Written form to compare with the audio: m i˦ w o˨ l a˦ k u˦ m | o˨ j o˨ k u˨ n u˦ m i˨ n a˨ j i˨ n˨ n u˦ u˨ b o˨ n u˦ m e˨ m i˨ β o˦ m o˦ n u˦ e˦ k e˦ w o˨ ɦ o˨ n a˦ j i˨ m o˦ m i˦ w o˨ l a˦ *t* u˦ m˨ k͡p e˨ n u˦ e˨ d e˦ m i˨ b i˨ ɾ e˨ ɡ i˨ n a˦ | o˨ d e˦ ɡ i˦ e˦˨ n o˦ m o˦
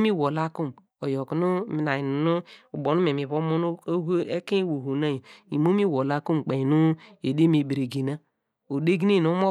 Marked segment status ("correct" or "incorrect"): incorrect